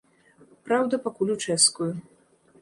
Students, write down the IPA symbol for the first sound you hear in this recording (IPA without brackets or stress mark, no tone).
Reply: p